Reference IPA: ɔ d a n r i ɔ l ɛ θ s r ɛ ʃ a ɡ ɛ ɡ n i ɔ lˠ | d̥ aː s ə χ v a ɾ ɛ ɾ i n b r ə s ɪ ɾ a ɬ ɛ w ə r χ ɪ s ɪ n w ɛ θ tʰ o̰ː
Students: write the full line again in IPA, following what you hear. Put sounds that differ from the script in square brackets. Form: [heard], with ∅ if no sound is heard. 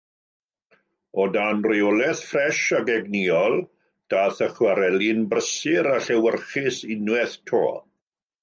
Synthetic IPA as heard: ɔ d a n r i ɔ l ɛ θ [f] r ɛ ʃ a ɡ ɛ ɡ n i ɔ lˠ | d̥ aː [θ] ə χ [w] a ɾ ɛ [l] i n b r ə s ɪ ɾ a ɬ ɛ w ə r χ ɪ s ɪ n w ɛ θ tʰ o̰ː